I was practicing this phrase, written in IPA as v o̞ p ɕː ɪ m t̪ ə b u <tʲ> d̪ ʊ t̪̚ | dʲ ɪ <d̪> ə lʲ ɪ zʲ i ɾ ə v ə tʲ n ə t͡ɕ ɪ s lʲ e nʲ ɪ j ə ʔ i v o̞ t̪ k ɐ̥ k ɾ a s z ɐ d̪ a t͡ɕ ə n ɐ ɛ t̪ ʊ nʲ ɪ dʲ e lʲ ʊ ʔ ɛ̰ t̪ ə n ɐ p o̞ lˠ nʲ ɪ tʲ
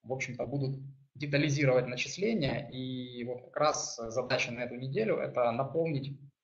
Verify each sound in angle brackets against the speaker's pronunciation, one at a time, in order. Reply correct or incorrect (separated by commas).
incorrect, incorrect